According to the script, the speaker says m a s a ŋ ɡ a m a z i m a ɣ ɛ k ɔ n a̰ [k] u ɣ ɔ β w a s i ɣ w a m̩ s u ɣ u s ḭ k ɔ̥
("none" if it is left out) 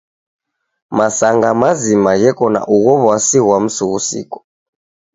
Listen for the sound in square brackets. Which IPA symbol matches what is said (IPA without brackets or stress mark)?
ʔ